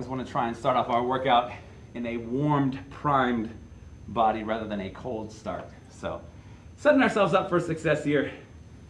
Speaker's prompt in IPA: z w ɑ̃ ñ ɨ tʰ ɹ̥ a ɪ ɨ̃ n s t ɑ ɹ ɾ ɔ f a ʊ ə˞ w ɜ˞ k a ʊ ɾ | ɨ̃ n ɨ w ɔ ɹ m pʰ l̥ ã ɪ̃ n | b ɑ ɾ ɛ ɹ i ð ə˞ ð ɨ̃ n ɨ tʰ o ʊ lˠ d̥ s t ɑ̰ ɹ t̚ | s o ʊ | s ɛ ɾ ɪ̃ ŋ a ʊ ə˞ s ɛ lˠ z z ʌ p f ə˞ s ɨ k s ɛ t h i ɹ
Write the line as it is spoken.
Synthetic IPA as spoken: z w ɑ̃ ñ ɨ tʰ ɹ̥ a ɪ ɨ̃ n s t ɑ ɹ ɾ ɔ f a ʊ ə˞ w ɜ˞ k a ʊ ɾ | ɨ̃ n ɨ w ɔ ɹ m pʰ ɹ̥ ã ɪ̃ m | b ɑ ɾ i ɹ æ ð ə˞ ð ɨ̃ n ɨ kʰ o ʊ lˠ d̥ s t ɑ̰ ɹ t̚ | s o ʊ | s ɛ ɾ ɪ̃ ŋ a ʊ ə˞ s ɛ lˠ v z ʌ p f ə˞ s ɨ k s ɛ s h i ɹ